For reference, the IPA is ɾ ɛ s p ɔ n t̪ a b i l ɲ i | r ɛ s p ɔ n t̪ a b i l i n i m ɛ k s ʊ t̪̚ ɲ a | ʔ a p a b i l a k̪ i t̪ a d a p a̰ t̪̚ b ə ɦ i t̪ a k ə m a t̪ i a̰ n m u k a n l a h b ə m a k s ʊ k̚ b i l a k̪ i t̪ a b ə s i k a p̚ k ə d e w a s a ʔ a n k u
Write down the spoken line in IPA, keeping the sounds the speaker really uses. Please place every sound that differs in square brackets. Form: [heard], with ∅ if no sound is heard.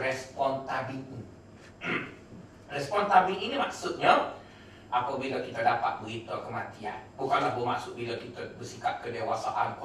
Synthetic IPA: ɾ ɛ s p ɔ n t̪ a b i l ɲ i | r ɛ s p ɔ n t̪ a b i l i n i m [a] k s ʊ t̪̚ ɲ a | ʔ a p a b i l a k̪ i t̪ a d a p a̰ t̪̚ b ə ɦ i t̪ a k ə m a t̪ i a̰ n [b] u k a n l a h b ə m a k s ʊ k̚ b i l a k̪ i t̪ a b ə s i k a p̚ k ə d e w a s a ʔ a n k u